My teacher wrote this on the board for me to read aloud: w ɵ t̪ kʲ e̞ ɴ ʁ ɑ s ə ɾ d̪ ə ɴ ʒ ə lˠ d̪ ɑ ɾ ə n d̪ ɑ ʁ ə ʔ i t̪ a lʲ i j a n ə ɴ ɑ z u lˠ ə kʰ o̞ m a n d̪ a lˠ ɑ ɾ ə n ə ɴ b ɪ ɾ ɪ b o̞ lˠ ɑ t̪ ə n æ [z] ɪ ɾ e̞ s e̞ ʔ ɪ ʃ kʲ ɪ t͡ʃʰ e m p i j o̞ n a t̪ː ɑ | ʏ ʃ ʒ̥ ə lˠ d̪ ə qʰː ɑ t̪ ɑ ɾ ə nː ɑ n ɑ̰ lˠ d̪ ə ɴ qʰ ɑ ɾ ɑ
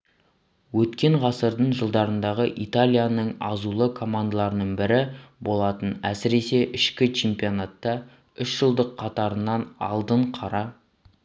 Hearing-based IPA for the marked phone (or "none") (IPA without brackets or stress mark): s